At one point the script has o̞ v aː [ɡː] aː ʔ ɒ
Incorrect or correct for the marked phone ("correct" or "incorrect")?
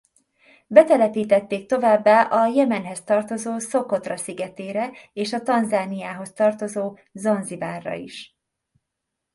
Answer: incorrect